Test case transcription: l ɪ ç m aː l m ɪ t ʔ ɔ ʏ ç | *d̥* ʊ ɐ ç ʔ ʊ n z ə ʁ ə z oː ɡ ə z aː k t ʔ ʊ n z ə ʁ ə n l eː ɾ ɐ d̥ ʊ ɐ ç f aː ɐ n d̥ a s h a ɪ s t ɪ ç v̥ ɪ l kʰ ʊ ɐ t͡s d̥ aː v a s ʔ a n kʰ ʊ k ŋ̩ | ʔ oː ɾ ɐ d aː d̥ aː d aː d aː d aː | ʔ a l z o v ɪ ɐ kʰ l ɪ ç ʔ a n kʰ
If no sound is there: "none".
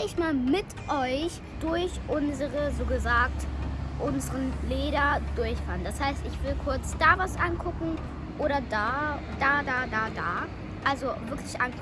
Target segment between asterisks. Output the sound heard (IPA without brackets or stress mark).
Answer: d̥